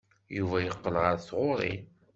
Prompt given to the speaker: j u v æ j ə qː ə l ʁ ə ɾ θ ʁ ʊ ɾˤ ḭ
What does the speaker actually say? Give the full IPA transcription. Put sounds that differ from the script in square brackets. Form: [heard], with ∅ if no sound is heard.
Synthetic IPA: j u v æ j ə qː ə l ʁ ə ɾ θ ʁ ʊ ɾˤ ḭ